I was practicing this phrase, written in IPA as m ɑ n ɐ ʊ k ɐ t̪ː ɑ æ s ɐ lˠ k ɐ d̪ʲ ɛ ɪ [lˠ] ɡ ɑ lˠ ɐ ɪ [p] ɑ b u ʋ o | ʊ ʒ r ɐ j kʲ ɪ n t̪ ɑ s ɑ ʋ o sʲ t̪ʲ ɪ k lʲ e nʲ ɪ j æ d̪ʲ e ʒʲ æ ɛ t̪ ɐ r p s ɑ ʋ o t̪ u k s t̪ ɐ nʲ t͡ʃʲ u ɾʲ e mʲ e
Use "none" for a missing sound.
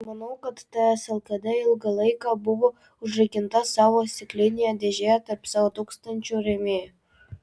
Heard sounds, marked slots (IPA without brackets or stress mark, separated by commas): lˠ, k